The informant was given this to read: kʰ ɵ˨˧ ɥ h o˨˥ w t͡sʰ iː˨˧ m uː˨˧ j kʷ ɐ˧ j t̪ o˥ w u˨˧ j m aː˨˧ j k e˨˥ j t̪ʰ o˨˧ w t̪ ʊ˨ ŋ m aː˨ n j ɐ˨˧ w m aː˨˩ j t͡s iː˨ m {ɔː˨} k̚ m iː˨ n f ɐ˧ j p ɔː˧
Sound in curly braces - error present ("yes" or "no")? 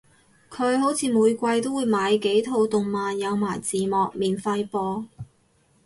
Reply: no